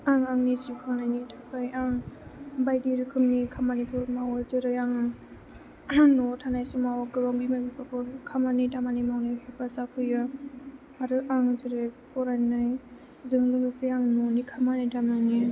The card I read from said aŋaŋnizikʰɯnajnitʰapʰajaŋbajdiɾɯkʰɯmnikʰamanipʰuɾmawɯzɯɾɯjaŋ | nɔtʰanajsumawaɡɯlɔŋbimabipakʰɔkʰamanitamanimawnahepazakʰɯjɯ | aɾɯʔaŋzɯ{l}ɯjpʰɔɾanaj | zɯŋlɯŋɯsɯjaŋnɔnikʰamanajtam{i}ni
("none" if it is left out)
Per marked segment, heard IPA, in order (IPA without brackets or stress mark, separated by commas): ɾ, a